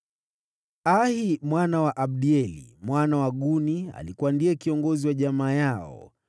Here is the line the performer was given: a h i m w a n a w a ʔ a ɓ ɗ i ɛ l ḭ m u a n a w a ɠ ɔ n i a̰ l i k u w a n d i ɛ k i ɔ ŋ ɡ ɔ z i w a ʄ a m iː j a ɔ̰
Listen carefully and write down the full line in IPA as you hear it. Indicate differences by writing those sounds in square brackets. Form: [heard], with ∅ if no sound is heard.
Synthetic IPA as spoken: a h i m w a n a w a ʔ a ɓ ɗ i ɛ l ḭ m [w] a n a w a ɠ [u] n i a̰ l i k u w a n d i ɛ k i ɔ ŋ ɡ ɔ z i w a ʄ a m [aː] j a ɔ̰